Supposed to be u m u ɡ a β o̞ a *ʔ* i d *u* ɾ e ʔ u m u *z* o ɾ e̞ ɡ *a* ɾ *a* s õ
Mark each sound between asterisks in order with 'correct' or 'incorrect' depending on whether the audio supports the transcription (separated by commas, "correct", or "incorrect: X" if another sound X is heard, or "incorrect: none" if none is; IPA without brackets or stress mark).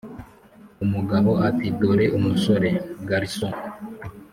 incorrect: t, incorrect: o, incorrect: s, correct, incorrect: i